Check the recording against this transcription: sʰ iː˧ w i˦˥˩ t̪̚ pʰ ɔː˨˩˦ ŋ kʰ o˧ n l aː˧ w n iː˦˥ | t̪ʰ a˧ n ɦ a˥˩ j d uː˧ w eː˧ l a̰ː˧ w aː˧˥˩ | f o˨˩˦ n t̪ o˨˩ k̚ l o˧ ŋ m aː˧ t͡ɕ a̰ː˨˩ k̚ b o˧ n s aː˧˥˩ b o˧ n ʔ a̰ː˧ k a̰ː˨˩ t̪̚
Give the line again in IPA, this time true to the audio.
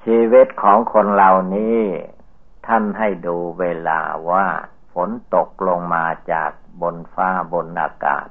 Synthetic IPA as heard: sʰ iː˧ w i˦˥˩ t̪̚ kʰ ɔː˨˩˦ ŋ kʰ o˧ n l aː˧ w n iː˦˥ | t̪ʰ a˥˩ n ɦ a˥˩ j d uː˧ w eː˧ l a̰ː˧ w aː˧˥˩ | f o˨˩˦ n t̪ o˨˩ k̚ l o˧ ŋ m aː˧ t͡ɕ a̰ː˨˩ k̚ b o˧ n f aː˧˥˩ b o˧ n ʔ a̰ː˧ k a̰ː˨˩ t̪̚